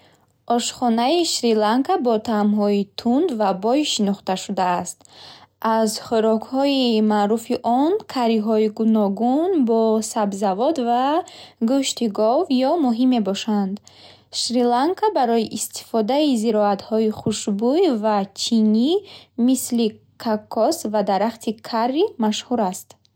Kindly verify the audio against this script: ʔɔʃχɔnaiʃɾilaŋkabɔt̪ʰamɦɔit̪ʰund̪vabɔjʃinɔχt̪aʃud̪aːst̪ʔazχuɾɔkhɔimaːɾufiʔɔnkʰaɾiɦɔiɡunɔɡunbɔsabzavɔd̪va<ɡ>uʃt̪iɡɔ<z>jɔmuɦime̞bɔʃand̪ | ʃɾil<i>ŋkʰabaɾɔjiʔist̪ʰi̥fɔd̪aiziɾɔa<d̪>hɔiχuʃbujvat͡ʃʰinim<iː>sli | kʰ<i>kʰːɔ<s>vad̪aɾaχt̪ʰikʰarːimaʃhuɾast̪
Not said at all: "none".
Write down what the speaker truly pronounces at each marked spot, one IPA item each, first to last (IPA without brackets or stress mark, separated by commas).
ɡ, v, a, t̪, i, a, s